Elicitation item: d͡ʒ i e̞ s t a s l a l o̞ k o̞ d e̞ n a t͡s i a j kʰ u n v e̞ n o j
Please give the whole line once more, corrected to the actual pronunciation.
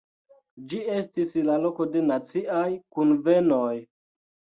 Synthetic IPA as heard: d͡ʒ i e̞ s t i s l a l o̞ k o̞ d e̞ n a t͡s i a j k u n v e̞ n o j